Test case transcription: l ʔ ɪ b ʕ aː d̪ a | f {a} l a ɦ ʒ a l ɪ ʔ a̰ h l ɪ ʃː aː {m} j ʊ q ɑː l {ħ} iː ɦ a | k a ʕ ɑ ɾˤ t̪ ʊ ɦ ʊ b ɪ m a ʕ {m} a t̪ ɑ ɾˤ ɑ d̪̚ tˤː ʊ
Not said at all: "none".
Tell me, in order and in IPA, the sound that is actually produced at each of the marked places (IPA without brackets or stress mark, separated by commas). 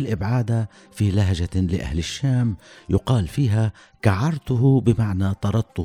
i, m, f, n